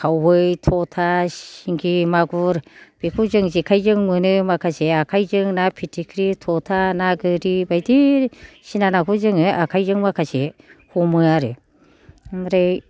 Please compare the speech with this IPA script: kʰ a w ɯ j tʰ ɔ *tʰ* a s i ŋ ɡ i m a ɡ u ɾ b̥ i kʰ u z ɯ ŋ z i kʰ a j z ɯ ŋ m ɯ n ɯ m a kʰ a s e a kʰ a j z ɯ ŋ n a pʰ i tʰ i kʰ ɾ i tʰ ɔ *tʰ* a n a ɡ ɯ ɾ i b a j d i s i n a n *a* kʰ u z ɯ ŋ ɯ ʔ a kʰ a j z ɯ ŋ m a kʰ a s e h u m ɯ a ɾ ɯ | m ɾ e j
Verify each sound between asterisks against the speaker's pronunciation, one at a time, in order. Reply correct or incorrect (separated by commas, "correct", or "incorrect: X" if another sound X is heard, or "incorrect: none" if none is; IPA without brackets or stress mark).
correct, correct, correct